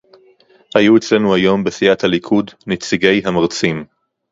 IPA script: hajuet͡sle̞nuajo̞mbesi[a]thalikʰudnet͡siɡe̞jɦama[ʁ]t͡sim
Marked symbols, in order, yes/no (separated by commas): yes, yes